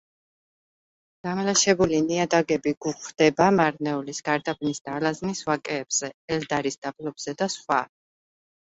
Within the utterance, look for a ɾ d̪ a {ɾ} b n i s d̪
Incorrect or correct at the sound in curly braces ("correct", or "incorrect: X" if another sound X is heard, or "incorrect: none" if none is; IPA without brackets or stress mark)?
incorrect: none